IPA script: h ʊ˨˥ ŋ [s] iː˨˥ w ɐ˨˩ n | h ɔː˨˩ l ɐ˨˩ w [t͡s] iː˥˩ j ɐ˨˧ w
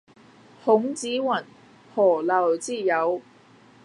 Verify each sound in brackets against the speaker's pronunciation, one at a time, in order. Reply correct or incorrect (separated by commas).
incorrect, correct